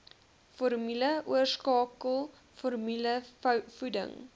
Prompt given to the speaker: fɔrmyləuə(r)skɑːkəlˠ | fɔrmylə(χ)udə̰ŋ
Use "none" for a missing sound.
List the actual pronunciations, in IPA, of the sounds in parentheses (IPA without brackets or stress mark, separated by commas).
r, f